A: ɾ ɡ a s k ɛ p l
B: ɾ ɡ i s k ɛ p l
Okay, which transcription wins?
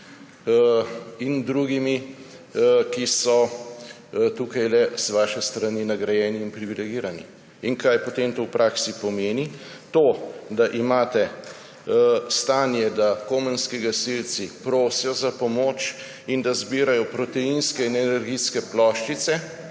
B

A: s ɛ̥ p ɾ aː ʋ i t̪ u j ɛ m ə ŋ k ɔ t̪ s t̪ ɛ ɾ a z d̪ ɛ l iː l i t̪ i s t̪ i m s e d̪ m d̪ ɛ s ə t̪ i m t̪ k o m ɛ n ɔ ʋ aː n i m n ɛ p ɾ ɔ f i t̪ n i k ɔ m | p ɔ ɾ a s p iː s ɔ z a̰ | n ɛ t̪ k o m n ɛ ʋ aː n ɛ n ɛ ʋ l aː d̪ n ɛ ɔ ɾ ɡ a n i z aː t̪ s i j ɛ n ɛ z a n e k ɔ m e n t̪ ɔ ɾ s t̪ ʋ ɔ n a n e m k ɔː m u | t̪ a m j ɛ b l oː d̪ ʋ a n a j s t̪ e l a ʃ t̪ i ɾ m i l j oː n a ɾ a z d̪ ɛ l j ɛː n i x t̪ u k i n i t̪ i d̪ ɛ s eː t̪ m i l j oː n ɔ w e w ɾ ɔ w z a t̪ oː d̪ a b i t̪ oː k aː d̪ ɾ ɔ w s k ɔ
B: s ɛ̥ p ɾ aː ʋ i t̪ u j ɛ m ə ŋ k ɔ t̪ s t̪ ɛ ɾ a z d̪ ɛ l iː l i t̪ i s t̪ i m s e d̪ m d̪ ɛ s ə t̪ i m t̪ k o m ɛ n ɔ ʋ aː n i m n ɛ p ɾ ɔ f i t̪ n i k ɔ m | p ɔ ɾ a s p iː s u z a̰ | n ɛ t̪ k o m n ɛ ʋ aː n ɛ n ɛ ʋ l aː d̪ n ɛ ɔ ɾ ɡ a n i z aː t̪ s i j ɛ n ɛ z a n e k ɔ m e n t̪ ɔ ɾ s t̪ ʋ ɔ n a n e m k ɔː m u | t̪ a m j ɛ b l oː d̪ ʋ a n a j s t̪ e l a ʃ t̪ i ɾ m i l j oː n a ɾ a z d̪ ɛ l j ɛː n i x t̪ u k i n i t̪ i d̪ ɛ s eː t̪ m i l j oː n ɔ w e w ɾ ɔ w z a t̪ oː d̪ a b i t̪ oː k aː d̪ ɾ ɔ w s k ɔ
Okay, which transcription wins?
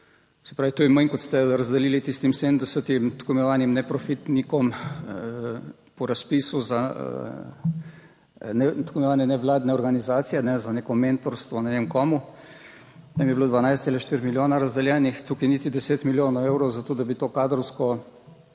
B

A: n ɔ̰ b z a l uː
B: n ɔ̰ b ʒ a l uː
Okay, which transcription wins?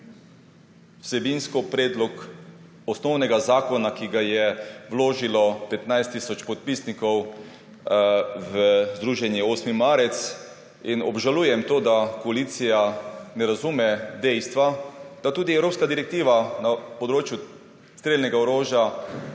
B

